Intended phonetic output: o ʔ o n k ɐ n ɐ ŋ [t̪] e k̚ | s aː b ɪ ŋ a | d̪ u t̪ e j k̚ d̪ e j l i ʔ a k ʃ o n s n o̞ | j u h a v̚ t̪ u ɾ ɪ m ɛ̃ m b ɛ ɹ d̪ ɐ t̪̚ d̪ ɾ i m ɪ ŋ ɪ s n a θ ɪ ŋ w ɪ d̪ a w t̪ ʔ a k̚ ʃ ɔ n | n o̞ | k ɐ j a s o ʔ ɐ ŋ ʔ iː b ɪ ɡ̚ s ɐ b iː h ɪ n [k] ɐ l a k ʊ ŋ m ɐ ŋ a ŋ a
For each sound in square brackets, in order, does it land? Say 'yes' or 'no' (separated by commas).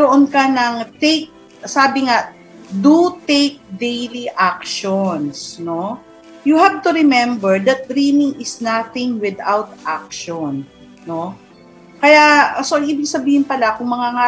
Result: yes, no